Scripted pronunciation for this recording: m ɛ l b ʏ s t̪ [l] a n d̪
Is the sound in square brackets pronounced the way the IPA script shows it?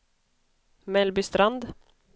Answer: no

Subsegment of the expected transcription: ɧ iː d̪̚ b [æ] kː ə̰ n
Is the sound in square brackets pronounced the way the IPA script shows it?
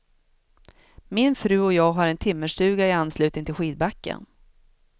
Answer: no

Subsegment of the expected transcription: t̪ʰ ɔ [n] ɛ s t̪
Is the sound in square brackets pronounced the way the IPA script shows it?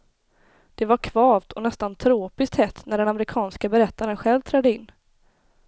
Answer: yes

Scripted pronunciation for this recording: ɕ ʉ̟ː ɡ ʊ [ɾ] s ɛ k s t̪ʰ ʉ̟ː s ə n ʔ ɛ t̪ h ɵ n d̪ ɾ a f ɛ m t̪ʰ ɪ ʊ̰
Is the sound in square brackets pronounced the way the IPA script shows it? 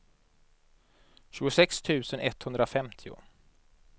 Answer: no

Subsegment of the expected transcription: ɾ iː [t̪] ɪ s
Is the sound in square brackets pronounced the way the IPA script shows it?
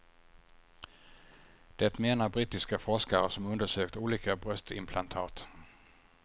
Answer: yes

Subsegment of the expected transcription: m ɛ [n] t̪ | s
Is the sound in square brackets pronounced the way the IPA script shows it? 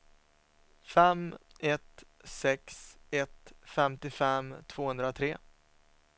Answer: no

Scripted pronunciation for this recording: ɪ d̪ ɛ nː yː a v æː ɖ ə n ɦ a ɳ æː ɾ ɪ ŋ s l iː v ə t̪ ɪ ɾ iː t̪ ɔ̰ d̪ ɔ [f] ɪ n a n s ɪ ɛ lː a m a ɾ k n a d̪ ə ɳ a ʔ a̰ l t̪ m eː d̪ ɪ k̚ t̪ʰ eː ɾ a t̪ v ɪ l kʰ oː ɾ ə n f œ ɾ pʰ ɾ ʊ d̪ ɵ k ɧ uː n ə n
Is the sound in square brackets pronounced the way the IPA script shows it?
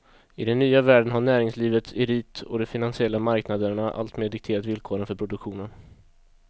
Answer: yes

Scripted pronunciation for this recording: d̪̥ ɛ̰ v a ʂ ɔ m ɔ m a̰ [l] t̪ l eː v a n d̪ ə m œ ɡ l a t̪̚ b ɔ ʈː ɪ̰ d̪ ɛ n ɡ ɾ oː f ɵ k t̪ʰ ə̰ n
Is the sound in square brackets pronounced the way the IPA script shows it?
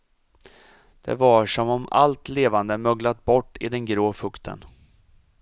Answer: yes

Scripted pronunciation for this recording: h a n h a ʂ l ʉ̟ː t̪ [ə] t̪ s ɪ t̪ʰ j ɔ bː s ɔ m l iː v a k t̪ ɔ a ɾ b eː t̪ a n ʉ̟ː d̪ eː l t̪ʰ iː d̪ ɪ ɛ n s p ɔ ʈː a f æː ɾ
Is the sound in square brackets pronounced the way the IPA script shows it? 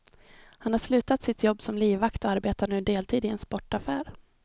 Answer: no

